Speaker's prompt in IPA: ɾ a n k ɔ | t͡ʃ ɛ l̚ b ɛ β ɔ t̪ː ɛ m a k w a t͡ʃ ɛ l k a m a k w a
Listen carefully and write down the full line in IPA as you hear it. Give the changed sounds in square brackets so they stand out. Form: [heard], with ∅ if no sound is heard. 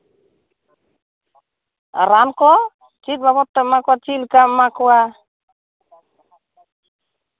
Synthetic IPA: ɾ a n k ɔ | t͡ʃ [i] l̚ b [a] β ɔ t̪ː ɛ m a k w a t͡ʃ [i] l k a m a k w a